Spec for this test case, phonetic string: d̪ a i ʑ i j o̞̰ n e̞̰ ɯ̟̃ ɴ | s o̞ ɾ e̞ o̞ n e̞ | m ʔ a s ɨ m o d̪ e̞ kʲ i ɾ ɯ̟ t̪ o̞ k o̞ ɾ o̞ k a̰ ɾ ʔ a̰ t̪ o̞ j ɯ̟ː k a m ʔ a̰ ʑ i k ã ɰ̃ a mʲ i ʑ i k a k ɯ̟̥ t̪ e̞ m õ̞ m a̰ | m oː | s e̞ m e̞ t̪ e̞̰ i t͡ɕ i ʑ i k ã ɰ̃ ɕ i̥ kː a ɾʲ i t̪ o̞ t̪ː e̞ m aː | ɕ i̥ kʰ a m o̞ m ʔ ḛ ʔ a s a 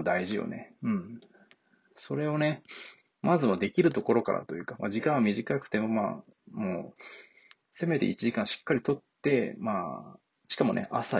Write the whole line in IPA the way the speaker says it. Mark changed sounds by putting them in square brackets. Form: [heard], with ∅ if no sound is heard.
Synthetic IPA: d̪ a i ʑ i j o̞̰ n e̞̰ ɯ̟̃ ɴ | s o̞ ɾ e̞ o̞ n e̞ | m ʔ a [z] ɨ m o d̪ e̞ kʲ i ɾ ɯ̟ t̪ o̞ k o̞ ɾ o̞ k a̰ ɾ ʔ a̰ t̪ o̞ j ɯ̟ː k a m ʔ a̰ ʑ i k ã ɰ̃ a mʲ i ʑ i k a k ɯ̟̥ t̪ e̞ m [o̞] m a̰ | m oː | s e̞ m e̞ t̪ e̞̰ i t͡ɕ i ʑ i k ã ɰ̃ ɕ i̥ kː a ɾʲ i t̪ o̞ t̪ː e̞ m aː | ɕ i̥ [k] a m o̞ [n] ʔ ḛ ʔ a s a